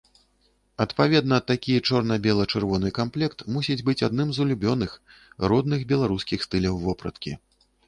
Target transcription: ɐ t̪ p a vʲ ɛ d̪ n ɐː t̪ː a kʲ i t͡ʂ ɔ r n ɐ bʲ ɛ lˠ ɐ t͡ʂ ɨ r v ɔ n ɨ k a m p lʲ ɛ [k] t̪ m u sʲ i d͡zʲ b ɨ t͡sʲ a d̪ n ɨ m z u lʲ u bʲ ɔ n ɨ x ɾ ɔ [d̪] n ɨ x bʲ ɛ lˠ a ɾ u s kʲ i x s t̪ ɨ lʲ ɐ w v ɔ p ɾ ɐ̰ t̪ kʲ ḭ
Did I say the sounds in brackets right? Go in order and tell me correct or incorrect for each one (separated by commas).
correct, correct